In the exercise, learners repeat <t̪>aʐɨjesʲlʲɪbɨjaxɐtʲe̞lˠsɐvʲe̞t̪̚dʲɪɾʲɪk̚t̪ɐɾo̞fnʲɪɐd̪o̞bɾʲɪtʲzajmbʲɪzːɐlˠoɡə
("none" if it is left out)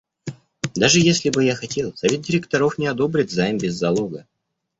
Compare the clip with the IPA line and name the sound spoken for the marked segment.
d̪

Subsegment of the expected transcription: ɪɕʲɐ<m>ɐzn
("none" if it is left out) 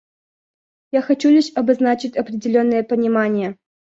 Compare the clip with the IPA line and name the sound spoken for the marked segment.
b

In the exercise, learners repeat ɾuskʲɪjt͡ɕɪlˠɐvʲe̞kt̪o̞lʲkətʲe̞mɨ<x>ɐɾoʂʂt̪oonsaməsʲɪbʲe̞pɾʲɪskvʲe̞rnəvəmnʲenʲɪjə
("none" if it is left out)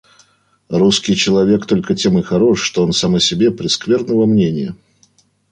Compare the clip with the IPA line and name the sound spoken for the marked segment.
x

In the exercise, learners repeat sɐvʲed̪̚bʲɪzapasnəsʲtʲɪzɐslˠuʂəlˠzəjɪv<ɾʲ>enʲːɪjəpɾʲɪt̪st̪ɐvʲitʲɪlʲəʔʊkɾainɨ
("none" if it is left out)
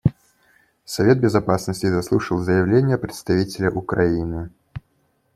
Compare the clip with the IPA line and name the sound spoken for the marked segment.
lʲ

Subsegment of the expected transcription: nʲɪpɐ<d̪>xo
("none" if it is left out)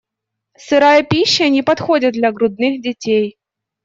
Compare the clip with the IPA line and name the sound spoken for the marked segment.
t̪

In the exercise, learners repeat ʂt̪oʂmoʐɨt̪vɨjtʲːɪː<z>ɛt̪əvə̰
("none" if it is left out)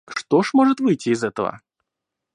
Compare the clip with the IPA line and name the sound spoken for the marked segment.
z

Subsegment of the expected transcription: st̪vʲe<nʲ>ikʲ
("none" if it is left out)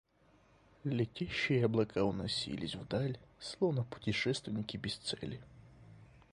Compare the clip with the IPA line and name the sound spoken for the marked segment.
nʲ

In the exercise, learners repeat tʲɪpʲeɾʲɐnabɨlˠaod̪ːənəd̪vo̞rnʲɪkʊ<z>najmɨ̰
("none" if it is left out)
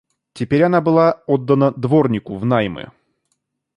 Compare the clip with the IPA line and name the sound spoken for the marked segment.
v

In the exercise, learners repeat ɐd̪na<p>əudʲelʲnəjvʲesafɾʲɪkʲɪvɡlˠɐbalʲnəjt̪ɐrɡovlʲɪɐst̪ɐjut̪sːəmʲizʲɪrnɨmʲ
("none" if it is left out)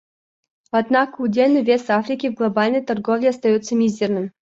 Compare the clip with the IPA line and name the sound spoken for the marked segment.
k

